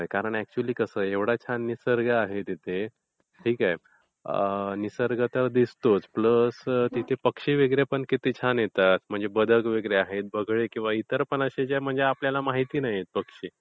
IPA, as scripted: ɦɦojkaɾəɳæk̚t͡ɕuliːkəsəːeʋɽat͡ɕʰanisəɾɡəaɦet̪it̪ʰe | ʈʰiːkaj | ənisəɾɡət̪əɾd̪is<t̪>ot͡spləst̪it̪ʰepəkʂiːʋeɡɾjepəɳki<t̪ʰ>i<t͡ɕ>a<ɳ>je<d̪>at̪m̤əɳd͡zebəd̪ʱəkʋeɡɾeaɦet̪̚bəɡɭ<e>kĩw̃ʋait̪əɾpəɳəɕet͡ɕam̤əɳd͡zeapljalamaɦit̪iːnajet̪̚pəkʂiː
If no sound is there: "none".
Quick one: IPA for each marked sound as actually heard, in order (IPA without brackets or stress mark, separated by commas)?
t̪, t̪, t͡ɕʰ, n, t̪, e